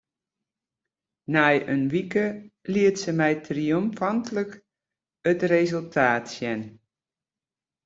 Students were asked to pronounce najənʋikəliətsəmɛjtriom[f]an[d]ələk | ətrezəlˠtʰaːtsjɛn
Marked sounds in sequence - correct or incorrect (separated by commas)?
correct, incorrect